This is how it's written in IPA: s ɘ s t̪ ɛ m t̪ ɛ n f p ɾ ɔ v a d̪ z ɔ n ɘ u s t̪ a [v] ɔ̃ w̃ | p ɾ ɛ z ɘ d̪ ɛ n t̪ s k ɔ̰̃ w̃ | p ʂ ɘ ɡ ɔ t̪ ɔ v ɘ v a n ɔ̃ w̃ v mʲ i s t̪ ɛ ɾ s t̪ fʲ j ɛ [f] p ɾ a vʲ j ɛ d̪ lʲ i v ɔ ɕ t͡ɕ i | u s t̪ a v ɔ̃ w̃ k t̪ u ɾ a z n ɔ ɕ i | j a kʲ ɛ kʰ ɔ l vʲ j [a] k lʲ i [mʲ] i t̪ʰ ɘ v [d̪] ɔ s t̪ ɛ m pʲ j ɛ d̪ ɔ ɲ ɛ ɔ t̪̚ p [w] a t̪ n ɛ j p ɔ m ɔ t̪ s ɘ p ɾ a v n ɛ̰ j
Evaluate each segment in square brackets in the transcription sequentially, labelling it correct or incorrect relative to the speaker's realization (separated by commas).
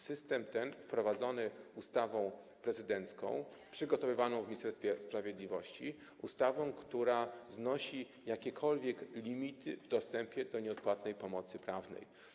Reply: correct, incorrect, incorrect, correct, correct, correct